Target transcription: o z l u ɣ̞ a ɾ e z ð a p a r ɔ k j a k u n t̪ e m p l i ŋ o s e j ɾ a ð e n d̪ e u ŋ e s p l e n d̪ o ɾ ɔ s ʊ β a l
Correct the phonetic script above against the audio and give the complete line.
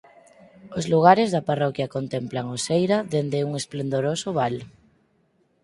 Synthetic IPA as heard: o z l u ɣ̞ a ɾ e z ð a p a r ɔ k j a k o n t̪ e m p l a ŋ o s e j ɾ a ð e n d̪ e u ŋ e s p l e n d̪ o ɾ o s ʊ β a l